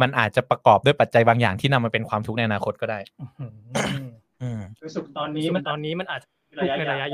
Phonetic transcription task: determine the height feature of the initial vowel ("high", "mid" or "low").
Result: low